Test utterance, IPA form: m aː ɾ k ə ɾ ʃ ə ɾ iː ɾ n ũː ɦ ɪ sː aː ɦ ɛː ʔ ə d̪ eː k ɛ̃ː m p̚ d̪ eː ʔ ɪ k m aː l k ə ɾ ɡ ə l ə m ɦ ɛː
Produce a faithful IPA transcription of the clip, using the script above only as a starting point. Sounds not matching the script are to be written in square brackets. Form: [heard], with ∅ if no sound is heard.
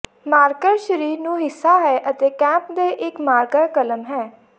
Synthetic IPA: m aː ɾ k ə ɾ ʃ ə ɾ iː ɾ n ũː ɦ ɪ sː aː ɦ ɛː ʔ ə [t̪] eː k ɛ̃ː m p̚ d̪ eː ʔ ɪ k m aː [ɾ] k ə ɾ [k] ə l ə m ɦ ɛː